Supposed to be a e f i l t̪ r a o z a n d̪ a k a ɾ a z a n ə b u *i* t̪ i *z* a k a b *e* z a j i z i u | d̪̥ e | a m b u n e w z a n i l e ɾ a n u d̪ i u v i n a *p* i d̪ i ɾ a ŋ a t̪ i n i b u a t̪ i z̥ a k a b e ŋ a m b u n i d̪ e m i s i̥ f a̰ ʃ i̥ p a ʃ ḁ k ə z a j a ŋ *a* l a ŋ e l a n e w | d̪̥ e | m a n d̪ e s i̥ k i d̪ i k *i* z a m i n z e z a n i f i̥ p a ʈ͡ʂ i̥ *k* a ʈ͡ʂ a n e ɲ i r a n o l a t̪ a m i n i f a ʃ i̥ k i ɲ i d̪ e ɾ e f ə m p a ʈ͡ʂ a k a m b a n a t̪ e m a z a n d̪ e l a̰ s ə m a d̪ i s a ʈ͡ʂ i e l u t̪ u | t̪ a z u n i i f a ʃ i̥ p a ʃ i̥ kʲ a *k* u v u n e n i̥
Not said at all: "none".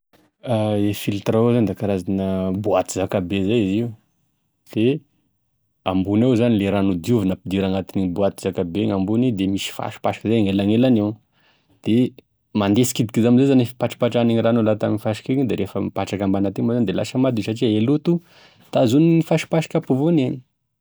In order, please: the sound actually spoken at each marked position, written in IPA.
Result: a, z, e, p, e, i, p, p

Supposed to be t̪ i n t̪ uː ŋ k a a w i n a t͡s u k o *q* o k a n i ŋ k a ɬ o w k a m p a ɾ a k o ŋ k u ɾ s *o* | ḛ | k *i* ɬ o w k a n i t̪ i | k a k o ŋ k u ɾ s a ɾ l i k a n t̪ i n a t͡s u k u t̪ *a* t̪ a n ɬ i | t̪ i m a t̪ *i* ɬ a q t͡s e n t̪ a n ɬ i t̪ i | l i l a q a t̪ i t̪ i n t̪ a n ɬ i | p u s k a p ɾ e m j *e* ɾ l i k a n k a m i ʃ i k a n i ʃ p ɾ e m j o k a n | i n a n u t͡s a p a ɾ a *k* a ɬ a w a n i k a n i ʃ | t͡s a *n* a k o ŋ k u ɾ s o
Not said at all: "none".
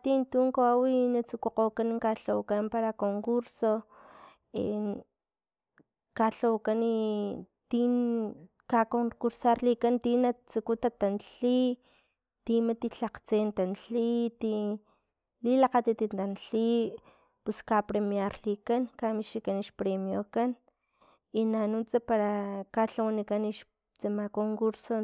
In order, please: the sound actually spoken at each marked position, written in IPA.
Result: q, o, a, a, i, a, k, m

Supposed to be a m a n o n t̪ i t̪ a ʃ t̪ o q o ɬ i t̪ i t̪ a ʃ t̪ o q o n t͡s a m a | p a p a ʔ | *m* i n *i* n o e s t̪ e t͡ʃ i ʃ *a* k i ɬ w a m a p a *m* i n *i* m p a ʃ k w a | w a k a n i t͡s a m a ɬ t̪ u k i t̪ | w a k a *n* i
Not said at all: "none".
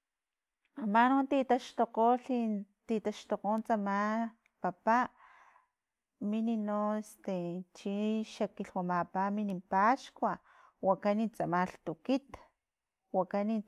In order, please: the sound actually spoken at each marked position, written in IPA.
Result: m, i, a, m, i, n

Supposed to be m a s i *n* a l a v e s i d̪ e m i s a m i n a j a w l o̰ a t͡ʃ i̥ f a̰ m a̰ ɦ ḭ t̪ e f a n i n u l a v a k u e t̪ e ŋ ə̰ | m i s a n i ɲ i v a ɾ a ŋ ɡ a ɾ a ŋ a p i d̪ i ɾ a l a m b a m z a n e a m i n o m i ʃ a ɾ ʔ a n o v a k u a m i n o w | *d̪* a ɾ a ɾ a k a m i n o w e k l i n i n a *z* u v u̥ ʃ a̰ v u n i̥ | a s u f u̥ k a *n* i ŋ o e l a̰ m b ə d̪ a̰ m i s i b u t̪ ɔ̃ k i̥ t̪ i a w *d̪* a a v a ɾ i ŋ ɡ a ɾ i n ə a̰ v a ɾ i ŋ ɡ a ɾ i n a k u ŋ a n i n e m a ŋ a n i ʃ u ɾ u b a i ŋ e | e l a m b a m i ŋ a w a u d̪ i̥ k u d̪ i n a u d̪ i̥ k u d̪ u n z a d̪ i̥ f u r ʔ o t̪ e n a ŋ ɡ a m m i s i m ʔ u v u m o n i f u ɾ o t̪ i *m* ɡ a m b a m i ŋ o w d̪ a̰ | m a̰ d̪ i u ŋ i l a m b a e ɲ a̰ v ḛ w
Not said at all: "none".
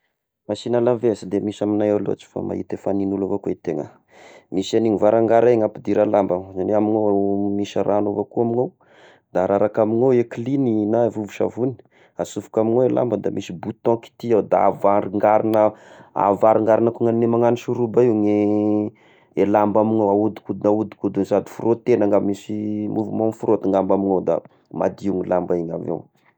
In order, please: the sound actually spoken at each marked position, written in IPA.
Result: n, d̪, v, m, d̪, ŋ

